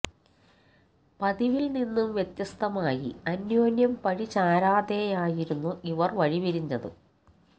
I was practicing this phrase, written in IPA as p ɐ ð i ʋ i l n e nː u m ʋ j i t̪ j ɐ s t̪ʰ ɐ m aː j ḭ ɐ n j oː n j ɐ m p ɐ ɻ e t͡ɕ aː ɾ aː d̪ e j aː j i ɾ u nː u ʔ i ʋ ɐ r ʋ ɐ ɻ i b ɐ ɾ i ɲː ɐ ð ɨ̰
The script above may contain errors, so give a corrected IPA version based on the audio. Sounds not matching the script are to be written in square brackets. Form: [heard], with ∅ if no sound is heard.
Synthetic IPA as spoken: p ɐ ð i ʋ i l n [i] nː u m ʋ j [e] t̪ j ɐ s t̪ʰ ɐ m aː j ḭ ɐ n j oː n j ɐ m p ɐ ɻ [i] t͡ɕ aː ɾ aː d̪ e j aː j i ɾ u nː u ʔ i ʋ ɐ r ʋ ɐ ɻ i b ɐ ɾ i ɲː ɐ ð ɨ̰